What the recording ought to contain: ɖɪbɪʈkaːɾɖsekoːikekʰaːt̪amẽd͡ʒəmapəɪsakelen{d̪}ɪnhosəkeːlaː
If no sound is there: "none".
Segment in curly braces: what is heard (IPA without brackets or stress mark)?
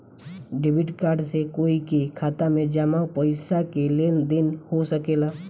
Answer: d̪